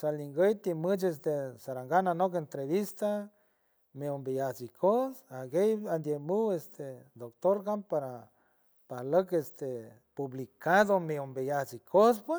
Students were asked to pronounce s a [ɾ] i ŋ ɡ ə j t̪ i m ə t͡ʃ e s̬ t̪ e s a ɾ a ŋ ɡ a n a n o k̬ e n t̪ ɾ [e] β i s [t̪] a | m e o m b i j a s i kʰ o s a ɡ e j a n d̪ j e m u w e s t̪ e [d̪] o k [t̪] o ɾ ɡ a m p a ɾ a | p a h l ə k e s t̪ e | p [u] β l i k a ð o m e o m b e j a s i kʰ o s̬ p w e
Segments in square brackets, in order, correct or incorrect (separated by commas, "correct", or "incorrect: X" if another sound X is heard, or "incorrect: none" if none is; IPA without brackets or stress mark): incorrect: l, correct, correct, correct, correct, correct